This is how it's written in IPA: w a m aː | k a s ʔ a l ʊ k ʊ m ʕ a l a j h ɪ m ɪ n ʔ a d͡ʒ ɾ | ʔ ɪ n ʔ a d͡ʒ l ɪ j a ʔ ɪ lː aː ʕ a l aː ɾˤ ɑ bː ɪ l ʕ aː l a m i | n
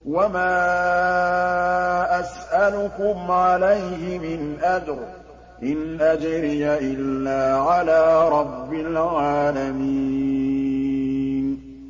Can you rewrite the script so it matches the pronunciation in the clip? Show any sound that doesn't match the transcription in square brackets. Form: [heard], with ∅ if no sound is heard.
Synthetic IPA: w a m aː | [ʔ] a s ʔ a l ʊ k ʊ m ʕ a l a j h ɪ m ɪ n ʔ a d͡ʒ ɾ | ʔ ɪ n ʔ a d͡ʒ [ɾ] ɪ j a ʔ ɪ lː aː ʕ a l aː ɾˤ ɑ bː ɪ l ʕ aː l a m i | n